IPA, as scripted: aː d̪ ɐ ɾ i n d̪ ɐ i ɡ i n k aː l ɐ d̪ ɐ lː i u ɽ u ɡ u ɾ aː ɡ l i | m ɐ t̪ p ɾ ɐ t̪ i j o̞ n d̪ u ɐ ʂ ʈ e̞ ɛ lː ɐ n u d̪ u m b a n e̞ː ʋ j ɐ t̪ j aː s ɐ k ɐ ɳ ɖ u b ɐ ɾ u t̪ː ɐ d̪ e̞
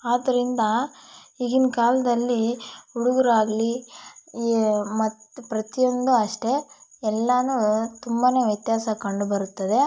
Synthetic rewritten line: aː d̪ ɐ ɾ i n d̪ ɐ i ɡ i n k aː l ɐ d̪ ɐ lː i u ɽ u ɡ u ɾ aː ɡ l i | m ɐ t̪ p ɾ ɐ t̪ i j o̞ n d̪ u ɐ ʂ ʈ e̞ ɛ lː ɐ n u t̪ u m b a n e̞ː ʋ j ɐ t̪ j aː s ɐ k ɐ ɳ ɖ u b ɐ ɾ u t̪ː ɐ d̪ e̞